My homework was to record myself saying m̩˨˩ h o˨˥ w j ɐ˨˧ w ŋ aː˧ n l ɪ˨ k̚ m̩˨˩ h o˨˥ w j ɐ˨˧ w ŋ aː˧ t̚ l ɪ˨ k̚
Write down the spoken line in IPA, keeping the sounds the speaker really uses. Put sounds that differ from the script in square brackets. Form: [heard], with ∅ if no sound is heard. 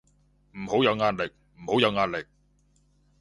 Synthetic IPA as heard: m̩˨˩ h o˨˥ w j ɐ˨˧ w ŋ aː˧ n l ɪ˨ k̚ m̩˨˩ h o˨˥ w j ɐ˨˧ w ŋ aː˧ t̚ l ɪ˨ k̚